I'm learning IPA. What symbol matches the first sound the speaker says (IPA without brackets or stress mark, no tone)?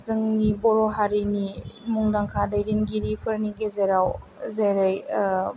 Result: z